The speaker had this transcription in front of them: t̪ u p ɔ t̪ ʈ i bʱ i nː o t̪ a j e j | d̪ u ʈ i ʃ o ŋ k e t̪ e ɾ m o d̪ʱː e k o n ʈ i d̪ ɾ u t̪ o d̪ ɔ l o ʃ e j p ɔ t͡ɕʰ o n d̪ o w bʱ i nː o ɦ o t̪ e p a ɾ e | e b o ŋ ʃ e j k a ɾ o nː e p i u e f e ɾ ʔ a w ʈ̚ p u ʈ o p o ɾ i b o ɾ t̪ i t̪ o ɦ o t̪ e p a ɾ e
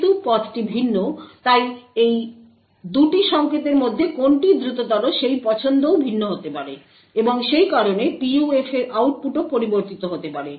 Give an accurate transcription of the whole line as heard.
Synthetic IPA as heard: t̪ u p ɔ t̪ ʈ i bʱ i nː o t̪ a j e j | d̪ u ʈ i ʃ ɔ ŋ k e t̪ e ɾ m o d̪ʱː e k o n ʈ i d̪ ɾ u t̪ o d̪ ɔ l o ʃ e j p ɔ t͡ɕʰ o n d̪ o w bʱ i nː o ɦ o t̪ e p a ɾ e | e b o ŋ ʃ e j k a ɾ o n e p i u e f e ɾ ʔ a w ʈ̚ p u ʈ o p o ɾ i b o ɾ t̪ i t̪ o ɦ o t̪ e p a ɾ e